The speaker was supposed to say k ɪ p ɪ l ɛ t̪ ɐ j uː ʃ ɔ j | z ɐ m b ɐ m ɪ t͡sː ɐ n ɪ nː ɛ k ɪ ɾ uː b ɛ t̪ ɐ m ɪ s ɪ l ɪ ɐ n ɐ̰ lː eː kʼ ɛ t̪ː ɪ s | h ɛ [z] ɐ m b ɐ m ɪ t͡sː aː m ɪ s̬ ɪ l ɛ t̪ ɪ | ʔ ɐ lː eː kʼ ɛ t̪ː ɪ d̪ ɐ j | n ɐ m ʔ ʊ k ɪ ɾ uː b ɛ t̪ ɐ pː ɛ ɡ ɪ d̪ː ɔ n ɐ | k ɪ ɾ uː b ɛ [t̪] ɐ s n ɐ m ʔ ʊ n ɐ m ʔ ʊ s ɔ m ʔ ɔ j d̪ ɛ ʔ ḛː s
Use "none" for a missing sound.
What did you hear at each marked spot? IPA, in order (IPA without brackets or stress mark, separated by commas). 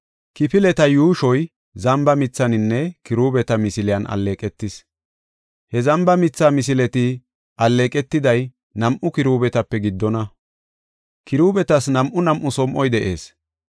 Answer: z, t̪